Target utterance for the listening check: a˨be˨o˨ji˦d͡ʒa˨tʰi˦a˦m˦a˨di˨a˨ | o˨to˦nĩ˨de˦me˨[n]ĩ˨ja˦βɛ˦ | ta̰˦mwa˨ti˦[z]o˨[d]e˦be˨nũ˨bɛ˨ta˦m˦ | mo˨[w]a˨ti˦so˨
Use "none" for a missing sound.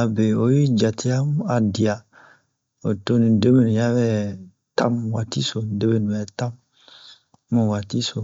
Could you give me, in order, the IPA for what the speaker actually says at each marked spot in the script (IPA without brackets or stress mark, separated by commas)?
n, s, d, w